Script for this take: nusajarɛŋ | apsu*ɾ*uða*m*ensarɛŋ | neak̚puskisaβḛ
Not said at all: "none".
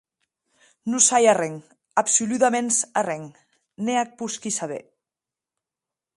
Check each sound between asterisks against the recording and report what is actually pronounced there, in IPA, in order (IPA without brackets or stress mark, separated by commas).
l, m